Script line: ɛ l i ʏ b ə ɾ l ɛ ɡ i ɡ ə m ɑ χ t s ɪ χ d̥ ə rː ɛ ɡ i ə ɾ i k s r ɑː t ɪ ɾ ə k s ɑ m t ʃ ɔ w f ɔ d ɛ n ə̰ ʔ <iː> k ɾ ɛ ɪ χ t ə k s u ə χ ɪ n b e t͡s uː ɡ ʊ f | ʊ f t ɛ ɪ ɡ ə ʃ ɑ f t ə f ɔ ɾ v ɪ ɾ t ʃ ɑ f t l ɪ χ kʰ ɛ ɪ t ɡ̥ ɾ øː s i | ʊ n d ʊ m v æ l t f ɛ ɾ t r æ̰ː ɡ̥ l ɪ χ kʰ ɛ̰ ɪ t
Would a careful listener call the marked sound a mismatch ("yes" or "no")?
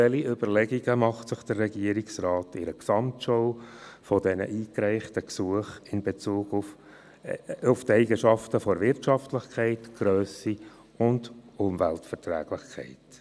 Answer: no